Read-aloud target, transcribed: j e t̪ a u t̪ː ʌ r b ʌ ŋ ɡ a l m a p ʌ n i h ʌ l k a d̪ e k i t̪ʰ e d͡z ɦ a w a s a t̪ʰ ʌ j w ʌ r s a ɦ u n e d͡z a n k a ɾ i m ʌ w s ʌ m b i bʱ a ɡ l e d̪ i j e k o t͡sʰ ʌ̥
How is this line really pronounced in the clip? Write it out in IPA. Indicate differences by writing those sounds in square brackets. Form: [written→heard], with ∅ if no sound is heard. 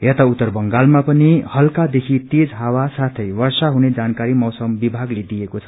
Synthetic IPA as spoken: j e t̪ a u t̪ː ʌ r b ʌ ŋ ɡ a l m a p ʌ n i h ʌ l k a d̪ e [k→kʰ] i [t̪ʰ→t̪] e d͡z ɦ a w a s a t̪ʰ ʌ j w ʌ r s a ɦ u n e d͡z a n k a ɾ i m ʌ w s ʌ m b i bʱ a ɡ l e d̪ i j e k o t͡sʰ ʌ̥